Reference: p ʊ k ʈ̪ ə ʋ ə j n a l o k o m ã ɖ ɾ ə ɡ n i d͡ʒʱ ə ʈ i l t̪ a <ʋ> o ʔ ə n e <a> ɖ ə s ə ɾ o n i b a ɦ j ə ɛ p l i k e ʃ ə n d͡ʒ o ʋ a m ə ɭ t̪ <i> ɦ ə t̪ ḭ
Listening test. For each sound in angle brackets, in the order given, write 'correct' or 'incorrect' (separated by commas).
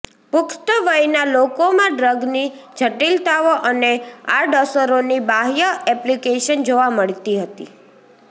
correct, correct, correct